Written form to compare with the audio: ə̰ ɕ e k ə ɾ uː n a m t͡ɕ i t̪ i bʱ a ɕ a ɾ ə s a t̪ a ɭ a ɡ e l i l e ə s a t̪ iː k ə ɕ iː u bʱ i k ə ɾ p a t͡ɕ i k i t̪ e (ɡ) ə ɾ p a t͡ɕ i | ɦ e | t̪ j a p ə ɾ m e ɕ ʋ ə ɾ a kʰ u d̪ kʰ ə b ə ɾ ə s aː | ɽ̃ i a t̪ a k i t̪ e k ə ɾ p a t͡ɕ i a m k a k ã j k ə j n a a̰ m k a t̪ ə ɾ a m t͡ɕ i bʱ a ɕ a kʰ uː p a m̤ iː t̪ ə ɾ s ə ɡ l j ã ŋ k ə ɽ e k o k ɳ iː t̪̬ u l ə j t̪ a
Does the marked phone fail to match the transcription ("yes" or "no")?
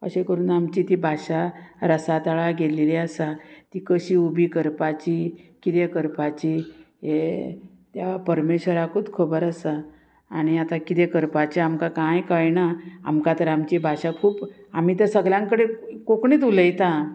yes